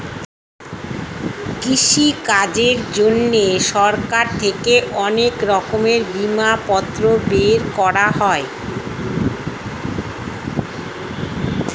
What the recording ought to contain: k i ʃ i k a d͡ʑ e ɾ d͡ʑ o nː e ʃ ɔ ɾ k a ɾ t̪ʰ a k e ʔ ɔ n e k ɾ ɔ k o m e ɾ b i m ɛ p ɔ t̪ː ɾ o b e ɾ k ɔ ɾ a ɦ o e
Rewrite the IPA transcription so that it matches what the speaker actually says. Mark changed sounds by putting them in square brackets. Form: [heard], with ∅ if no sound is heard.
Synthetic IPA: k i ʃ i k a d͡ʑ e ɾ d͡ʑ o nː e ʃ ɔ ɾ k a ɾ t̪ʰ [e] k e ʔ ɔ n e k ɾ ɔ k o m e ɾ b i m [a] p ɔ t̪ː ɾ o b e ɾ k ɔ ɾ a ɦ [ɔ] e